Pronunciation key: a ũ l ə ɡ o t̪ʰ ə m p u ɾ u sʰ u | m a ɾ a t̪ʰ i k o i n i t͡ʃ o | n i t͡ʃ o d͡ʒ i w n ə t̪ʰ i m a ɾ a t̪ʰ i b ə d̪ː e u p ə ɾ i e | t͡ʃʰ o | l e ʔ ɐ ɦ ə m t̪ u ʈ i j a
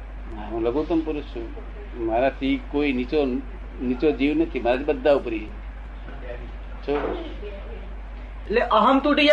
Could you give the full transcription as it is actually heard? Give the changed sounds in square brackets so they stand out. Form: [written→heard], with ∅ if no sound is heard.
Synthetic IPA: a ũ l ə ɡ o [t̪ʰ→t̪] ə m p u ɾ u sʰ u | m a ɾ a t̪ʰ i k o i n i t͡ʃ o | n i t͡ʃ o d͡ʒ i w n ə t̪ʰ i m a ɾ a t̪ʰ i b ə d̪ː [e→a] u p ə ɾ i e | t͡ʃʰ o | l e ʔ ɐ ɦ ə m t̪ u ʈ i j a